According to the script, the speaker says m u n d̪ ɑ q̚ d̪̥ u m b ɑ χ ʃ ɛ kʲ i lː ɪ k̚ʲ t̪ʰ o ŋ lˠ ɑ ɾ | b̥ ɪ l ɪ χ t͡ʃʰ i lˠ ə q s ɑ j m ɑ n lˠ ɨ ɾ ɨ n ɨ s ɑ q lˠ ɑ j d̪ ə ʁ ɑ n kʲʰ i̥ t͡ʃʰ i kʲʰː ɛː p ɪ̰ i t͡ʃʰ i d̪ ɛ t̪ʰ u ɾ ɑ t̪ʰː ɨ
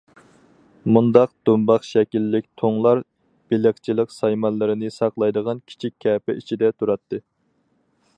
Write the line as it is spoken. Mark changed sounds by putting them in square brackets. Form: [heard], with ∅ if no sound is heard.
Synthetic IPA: m u n d̪ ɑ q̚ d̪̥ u m b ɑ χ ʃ ɛ kʲ i lː ɪ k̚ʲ t̪ʰ o ŋ lˠ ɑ ɾ | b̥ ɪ l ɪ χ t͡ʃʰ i lˠ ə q s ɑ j m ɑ n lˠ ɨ ɾ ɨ n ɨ s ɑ q lˠ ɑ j d̪ ə ʁ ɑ n kʲʰ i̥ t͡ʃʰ i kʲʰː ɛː p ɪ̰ i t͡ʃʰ i d̪ ɛ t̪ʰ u ɾ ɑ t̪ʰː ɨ